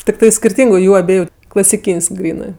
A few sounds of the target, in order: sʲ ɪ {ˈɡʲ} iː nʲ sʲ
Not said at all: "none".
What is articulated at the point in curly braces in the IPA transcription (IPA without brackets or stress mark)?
kʲ